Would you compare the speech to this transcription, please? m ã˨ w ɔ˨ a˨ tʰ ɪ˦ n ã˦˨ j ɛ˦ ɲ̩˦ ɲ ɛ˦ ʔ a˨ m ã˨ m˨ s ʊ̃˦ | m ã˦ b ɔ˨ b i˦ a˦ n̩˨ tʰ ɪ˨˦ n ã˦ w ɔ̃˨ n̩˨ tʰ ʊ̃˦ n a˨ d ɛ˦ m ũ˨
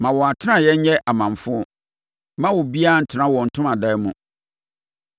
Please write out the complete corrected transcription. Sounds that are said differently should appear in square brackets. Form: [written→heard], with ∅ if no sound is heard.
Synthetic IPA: m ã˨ w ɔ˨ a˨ tʰ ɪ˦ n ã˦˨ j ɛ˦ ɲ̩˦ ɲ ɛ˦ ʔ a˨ m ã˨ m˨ [s→f] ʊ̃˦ | m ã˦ [b→w] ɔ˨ b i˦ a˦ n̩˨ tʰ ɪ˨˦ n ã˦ w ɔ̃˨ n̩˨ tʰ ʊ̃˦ [n→m] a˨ d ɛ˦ m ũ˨